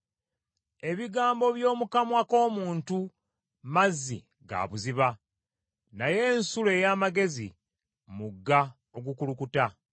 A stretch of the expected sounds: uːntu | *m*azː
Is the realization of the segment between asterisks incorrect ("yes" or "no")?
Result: no